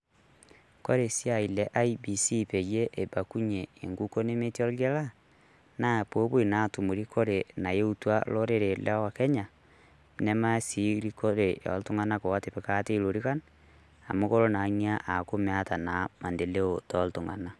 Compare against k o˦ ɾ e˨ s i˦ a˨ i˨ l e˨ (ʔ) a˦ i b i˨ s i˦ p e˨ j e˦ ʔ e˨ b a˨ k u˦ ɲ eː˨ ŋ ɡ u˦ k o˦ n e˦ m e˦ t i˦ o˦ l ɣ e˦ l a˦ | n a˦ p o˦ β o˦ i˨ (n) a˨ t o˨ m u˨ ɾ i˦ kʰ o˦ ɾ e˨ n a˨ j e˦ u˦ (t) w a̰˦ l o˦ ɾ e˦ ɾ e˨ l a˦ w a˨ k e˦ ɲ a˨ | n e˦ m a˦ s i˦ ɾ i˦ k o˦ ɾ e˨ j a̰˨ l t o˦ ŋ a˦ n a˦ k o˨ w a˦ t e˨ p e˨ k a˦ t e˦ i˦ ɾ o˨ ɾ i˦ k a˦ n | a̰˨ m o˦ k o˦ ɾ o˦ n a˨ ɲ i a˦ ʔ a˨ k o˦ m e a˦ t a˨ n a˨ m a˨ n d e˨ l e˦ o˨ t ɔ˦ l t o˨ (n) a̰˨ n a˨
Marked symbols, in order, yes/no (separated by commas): yes, yes, yes, no